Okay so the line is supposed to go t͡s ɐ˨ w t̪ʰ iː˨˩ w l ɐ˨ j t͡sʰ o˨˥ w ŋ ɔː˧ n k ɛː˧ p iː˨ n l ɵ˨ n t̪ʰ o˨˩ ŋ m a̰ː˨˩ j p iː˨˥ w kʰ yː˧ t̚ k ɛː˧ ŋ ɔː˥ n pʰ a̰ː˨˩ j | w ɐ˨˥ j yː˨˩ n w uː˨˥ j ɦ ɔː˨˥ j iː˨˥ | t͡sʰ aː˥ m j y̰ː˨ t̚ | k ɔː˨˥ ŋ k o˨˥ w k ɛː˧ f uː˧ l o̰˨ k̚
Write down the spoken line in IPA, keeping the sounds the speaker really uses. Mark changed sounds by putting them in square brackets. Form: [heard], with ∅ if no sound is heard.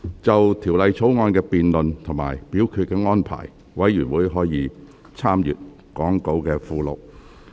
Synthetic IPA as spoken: t͡s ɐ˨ w t̪ʰ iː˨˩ w l ɐ˨ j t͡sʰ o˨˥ w ŋ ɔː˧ n k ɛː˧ p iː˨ n l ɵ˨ n t̪ʰ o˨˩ ŋ m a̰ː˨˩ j p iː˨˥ w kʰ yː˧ t̚ k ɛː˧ ŋ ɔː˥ n pʰ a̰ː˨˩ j | w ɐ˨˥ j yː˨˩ n w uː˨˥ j ɦ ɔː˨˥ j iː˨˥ | t͡sʰ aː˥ m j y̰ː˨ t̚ | k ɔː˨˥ ŋ k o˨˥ w k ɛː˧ f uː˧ l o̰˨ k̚